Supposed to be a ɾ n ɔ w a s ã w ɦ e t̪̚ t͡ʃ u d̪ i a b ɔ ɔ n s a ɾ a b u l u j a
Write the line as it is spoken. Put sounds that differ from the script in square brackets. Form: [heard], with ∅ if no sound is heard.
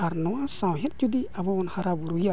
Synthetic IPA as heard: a ɾ n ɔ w a s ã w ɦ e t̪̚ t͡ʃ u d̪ i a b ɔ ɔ n [h] a ɾ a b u [ɾ] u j a